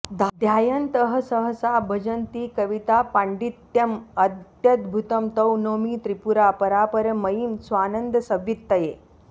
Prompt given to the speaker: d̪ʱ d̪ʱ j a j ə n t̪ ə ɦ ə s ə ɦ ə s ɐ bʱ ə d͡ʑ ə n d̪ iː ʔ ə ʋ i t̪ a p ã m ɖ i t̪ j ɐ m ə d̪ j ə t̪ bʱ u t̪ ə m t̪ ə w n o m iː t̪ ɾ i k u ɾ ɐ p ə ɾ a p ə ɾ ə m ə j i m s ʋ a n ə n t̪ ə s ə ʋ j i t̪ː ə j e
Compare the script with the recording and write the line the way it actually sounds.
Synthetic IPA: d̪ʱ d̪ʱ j a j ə n t̪ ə ɦ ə s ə ɦ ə s a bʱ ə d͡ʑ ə n t̪ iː k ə ʋ i t̪ a p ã ɳ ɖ i t̪ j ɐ m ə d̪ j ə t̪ bʱ u t̪ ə m t̪ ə w n o m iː t̪ ɾ i p u ɾ a p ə ɾ a p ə ɾ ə m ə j i m s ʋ a n ə n d̪ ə s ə ʋ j i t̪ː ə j e